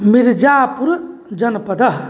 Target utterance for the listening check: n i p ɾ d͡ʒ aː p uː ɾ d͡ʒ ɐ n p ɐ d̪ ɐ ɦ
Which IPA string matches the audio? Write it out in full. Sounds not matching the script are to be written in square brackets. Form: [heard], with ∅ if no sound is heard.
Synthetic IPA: [m] i [∅] ɾ d͡ʒ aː p [u] ɾ d͡ʒ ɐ n p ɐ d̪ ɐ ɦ